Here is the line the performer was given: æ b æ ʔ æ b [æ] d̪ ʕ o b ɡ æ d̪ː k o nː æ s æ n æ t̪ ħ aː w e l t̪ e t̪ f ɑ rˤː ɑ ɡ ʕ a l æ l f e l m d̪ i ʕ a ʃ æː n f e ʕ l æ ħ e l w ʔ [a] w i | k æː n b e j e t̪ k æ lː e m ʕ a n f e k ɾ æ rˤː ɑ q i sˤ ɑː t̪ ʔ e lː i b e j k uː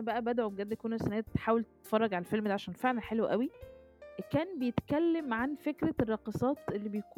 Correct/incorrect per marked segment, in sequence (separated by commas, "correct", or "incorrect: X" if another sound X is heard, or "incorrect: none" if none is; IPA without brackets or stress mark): correct, incorrect: æ